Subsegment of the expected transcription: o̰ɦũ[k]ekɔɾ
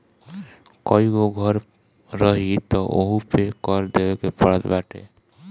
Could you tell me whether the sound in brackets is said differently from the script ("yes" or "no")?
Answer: yes